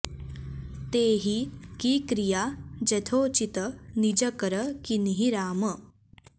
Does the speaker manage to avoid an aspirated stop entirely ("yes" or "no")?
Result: no